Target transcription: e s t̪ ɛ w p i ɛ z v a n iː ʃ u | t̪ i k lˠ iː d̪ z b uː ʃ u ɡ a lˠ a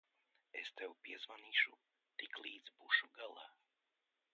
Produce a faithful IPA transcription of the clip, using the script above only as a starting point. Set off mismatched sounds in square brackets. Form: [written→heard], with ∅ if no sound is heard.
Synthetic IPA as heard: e s t̪ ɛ w p i ɛ z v a n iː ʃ u | t̪ i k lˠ iː d̪ z b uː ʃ u ɡ a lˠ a